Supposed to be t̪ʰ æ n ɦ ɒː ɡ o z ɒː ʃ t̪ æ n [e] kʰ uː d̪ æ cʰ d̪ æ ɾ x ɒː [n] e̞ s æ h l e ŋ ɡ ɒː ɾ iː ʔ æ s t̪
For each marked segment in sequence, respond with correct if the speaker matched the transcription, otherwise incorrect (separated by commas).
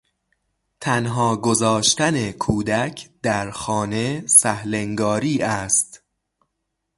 correct, correct